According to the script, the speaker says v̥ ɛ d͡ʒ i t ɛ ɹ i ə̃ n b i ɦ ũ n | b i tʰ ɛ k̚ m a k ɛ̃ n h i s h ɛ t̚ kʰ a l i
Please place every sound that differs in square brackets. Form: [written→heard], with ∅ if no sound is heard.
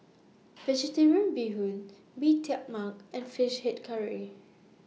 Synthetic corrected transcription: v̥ ɛ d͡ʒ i t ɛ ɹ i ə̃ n b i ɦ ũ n | b i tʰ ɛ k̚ m a k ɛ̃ n [h→f] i [s→ʃ] h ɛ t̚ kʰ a [l→ɹ] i